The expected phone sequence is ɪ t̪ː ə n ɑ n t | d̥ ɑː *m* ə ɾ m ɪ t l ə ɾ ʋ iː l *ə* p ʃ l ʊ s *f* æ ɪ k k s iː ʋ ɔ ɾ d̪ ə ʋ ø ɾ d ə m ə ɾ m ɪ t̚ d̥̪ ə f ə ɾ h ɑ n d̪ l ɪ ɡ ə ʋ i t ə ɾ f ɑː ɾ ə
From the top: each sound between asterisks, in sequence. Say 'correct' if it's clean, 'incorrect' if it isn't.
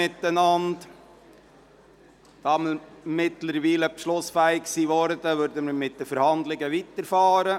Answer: correct, correct, correct

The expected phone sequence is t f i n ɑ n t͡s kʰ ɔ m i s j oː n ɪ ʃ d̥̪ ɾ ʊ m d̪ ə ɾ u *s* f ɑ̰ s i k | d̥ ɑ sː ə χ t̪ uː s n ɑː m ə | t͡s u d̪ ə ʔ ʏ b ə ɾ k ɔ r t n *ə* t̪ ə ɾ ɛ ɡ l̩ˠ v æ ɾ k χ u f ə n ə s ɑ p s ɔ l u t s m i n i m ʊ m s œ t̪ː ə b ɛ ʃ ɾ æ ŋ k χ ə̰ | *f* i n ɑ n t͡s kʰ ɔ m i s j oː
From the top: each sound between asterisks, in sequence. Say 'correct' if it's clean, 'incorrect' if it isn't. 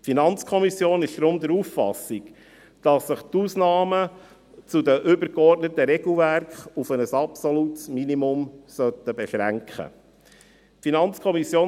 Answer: incorrect: f, correct, correct

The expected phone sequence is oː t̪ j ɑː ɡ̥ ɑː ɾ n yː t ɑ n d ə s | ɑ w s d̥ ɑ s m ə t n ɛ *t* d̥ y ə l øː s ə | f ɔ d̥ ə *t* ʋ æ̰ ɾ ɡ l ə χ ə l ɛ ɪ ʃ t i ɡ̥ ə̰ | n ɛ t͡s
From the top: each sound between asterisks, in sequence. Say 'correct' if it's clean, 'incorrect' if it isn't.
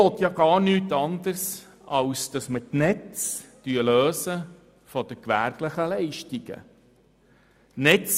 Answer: incorrect: t͡s, incorrect: k

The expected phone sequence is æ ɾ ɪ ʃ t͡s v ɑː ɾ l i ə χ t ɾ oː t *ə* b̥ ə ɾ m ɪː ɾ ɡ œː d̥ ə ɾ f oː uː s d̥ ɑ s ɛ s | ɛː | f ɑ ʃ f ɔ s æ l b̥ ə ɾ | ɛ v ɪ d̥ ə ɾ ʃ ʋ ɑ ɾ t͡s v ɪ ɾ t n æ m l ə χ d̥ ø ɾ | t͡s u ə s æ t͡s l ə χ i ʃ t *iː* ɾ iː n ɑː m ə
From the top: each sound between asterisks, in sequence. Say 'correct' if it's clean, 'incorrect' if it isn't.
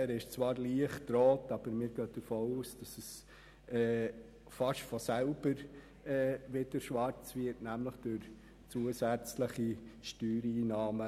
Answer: incorrect: ɑ, incorrect: yː

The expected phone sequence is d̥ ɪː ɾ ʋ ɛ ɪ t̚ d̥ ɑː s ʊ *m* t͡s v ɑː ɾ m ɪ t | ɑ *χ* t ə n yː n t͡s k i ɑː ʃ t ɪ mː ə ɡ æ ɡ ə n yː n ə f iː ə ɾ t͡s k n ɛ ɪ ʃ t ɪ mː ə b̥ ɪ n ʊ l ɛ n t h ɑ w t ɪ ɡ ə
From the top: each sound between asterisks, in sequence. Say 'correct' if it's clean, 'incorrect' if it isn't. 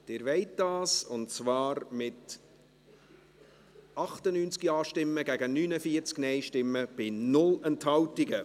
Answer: incorrect: n, correct

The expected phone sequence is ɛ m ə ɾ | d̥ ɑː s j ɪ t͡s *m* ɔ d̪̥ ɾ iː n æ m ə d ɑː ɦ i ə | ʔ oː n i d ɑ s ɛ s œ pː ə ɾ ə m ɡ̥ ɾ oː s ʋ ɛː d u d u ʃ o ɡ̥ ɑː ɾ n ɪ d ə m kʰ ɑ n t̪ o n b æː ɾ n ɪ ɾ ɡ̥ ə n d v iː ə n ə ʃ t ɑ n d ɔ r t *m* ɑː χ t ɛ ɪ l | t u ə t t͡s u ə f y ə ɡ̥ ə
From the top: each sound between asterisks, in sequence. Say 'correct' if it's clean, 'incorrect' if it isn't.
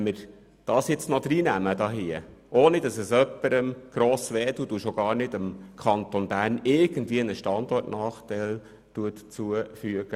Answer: incorrect: n, incorrect: n

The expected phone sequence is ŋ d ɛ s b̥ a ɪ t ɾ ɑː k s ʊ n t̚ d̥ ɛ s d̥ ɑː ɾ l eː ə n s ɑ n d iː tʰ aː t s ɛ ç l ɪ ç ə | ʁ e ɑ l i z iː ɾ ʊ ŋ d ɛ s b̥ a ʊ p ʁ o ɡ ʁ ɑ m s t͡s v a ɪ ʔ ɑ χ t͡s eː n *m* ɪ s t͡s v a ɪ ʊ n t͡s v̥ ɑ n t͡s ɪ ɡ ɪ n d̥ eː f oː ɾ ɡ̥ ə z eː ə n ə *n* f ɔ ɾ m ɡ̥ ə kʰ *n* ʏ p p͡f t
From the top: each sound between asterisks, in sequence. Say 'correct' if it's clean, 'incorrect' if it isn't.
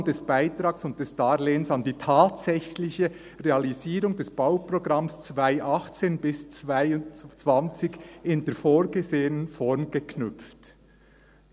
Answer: incorrect: b, correct, correct

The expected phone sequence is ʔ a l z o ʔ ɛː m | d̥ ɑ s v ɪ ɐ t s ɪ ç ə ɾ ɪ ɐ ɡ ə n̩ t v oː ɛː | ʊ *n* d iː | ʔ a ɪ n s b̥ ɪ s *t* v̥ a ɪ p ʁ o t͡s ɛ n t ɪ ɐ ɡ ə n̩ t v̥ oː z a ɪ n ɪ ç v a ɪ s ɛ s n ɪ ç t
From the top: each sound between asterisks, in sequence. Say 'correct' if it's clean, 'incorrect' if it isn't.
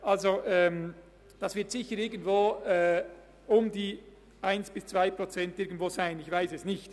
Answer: incorrect: m, incorrect: t͡s

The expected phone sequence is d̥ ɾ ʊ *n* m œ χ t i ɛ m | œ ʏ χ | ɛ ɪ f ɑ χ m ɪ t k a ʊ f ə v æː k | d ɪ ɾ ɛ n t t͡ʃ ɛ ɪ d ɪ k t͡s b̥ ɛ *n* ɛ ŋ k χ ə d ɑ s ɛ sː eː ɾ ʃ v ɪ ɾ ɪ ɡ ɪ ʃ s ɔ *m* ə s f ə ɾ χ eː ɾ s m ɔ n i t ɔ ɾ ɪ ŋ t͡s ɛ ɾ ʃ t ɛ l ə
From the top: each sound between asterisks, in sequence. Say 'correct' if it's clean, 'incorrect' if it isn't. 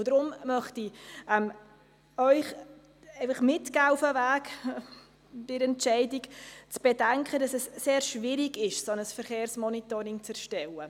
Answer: incorrect: m, incorrect: d, incorrect: n

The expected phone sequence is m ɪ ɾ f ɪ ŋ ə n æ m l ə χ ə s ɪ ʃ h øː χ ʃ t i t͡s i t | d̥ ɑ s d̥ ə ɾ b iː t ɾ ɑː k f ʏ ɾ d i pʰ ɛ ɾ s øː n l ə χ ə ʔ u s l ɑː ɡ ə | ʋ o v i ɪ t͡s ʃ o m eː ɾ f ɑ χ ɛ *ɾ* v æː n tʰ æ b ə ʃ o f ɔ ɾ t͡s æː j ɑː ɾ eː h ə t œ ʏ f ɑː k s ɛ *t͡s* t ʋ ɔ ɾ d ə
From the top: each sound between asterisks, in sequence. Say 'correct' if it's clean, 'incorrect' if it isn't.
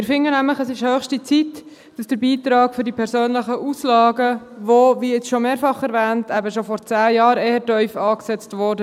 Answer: correct, correct

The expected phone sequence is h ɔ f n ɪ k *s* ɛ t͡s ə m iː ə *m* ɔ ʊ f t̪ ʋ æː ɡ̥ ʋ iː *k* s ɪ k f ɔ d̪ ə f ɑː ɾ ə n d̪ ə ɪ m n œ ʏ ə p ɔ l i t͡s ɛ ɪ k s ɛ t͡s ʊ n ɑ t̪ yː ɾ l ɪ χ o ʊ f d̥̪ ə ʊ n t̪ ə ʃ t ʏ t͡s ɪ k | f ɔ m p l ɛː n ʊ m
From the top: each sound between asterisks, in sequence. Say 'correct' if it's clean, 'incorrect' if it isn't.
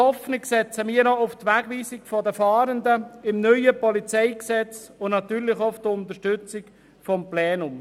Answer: correct, incorrect: n, incorrect: none

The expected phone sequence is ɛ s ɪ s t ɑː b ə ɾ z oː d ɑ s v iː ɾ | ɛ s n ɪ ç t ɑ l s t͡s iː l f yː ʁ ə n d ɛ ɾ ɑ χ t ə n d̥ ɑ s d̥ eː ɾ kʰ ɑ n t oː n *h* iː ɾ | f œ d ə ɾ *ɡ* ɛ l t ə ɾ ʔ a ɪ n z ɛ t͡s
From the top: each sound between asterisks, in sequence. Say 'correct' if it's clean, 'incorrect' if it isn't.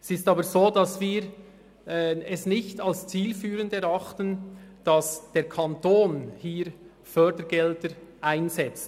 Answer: correct, correct

